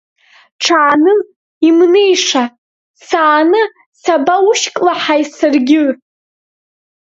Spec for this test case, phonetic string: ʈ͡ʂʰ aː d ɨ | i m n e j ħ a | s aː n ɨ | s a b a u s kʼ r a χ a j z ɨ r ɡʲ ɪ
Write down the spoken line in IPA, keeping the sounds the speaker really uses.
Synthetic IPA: ʈ͡ʂʰ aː n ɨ | i m n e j ʂ a | s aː n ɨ | s a b a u ʃ kʼ l a ħ a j s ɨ r ɡʲ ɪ